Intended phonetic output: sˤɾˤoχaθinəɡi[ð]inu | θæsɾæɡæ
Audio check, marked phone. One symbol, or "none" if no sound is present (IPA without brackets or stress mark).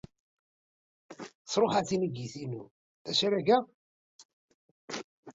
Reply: θ